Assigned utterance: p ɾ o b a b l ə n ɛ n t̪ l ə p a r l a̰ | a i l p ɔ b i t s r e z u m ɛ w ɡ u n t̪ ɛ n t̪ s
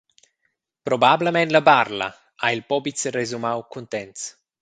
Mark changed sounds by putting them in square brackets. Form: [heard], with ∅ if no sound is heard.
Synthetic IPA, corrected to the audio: p ɾ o b a b l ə [m] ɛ n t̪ l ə [b] a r l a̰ | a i l p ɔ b i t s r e z u m [a] w [k] u n t̪ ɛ n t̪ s